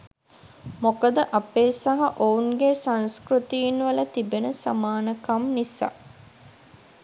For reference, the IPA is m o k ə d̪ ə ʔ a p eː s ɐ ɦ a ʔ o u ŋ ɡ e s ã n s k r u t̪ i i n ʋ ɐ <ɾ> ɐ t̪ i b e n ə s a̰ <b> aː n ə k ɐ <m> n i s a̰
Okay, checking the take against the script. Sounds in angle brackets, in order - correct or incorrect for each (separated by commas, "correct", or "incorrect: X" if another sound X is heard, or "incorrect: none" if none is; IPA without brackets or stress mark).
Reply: incorrect: l, incorrect: m, correct